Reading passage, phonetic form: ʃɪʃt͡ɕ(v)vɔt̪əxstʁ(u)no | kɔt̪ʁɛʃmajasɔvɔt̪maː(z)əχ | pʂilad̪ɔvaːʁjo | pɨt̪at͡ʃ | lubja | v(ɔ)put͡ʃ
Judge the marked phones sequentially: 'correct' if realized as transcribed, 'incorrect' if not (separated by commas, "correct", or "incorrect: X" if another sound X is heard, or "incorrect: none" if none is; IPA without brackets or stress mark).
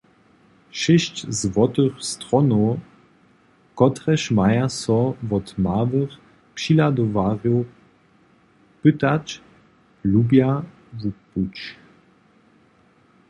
incorrect: z, incorrect: ɔ, incorrect: v, incorrect: u